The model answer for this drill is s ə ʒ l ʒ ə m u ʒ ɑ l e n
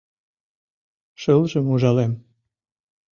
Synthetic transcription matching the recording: ʃ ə l ʒ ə m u ʒ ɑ l e m